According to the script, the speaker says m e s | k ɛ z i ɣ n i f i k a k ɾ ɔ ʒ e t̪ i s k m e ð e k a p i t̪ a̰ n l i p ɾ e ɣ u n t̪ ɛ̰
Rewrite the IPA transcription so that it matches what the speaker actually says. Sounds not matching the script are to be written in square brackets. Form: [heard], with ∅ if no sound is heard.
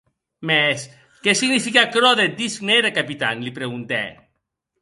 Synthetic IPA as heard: m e s | k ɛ [s] i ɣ n i f i k a k ɾ ɔ [ð] e [d̪] i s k [n] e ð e k a p i t̪ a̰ n l i p ɾ e ɣ u n t̪ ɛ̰